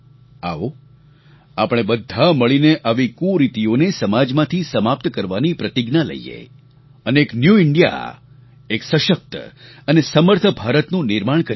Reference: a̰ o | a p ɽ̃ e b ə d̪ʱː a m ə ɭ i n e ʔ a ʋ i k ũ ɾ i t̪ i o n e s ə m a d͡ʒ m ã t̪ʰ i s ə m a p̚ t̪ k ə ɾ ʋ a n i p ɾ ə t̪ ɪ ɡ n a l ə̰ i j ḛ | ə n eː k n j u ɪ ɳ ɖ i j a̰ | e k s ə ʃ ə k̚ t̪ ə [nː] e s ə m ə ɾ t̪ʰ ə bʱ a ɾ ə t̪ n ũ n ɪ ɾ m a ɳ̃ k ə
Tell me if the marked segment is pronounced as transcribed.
no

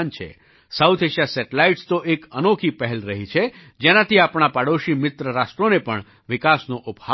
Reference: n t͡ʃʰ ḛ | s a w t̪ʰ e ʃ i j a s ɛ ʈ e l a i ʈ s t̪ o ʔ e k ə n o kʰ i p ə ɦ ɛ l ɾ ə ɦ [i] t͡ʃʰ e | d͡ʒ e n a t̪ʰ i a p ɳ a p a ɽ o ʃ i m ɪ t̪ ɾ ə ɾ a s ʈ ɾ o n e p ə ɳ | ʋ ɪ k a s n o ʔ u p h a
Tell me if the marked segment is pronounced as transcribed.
yes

